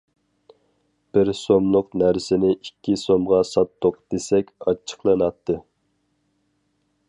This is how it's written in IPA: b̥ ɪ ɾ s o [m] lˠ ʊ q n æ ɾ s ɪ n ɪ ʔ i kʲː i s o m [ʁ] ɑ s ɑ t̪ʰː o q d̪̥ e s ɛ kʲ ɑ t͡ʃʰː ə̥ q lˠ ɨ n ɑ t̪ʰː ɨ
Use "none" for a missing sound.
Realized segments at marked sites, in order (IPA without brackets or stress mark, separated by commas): m, ʁ